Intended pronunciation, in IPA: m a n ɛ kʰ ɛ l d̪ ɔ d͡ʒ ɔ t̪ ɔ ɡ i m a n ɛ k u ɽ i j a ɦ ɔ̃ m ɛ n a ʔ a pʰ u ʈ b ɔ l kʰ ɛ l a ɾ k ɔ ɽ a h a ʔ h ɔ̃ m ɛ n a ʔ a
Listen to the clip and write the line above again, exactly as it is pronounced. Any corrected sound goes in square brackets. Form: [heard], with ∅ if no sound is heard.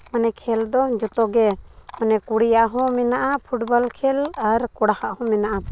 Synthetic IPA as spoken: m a n ɛ kʰ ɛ l d̪ ɔ d͡ʒ ɔ t̪ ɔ ɡ [ɛ] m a n ɛ k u ɽ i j a ɦ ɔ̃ m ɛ n a ʔ a pʰ u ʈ b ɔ l kʰ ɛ l a ɾ k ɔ ɽ a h a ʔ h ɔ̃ m ɛ n a ʔ a